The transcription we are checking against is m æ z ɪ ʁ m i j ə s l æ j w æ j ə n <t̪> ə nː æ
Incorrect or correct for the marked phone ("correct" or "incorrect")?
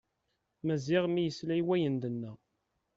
incorrect